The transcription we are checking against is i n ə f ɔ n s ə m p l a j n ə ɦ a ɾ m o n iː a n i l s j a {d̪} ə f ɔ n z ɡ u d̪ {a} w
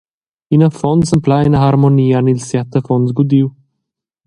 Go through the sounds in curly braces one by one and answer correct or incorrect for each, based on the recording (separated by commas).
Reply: incorrect, incorrect